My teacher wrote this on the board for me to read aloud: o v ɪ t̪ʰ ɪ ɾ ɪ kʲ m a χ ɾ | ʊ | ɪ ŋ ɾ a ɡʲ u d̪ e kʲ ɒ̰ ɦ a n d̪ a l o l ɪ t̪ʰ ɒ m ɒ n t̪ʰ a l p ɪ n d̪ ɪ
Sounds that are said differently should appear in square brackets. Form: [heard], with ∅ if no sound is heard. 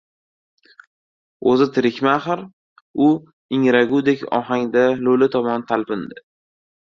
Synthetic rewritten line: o [z] ɪ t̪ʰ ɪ ɾ ɪ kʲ m a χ ɾ | ʊ | ɪ ŋ ɾ a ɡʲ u d̪ e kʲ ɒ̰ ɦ a [ŋ] d̪ a l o l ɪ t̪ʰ ɒ m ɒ n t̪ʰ a l p ɪ n d̪ ɪ